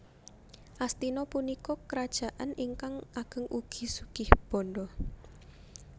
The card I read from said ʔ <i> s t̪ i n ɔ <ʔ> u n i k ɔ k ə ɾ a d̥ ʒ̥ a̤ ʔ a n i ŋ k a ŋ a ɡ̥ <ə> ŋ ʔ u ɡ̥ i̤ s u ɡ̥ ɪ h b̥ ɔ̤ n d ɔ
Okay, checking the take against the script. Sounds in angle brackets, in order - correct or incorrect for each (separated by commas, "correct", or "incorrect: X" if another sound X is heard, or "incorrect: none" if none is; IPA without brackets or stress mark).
incorrect: a, incorrect: p, correct